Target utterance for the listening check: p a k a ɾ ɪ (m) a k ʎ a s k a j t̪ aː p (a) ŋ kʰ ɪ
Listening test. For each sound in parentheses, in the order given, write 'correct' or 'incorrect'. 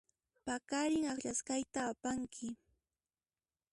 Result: incorrect: ŋ, correct

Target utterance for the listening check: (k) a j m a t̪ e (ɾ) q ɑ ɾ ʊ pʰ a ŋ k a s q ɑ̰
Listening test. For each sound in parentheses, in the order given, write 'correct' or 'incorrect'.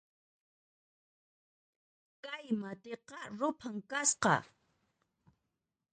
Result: correct, incorrect: none

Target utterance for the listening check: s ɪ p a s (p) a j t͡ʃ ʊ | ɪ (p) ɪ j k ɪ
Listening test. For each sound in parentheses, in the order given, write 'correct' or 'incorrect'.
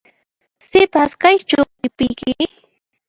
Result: incorrect: k, correct

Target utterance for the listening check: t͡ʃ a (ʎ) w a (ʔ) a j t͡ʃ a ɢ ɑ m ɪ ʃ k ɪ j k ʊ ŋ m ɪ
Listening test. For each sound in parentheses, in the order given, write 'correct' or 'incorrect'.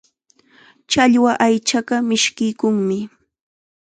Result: correct, correct

